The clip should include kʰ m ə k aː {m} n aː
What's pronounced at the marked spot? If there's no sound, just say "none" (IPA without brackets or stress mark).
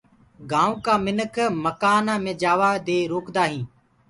none